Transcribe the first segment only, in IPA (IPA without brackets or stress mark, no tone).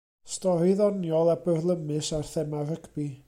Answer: s